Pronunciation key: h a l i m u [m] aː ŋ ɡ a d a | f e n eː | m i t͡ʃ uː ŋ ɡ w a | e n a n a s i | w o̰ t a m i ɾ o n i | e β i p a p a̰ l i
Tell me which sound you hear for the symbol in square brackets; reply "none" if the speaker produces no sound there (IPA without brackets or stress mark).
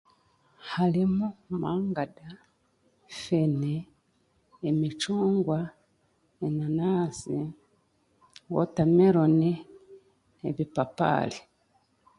m